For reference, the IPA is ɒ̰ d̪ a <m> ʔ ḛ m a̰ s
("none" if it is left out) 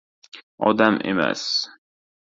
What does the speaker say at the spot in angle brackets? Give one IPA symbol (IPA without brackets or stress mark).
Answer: m